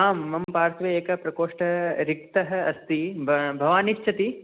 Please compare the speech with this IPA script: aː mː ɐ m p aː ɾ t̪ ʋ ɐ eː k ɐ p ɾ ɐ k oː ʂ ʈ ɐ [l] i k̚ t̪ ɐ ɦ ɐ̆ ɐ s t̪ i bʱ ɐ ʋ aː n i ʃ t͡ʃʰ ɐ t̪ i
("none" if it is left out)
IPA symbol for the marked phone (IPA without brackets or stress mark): ɾ